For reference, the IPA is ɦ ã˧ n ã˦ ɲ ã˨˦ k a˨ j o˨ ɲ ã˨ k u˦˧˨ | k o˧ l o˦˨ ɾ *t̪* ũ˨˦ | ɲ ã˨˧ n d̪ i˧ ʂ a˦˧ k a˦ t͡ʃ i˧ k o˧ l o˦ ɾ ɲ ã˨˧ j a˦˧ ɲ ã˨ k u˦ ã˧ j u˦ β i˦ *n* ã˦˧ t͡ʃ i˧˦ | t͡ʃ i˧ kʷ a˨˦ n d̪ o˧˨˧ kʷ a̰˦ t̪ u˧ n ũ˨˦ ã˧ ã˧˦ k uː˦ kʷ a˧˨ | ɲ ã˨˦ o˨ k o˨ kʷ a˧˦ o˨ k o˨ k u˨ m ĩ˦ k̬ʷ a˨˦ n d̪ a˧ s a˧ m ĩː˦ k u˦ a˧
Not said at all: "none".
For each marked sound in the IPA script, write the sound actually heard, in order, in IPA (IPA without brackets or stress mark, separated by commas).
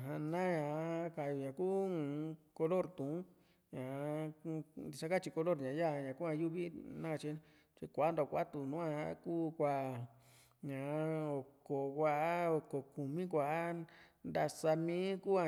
t̪, n